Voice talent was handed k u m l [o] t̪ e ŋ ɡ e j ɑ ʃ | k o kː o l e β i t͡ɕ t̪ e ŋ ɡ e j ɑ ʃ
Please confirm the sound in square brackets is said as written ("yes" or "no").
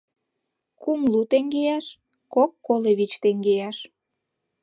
no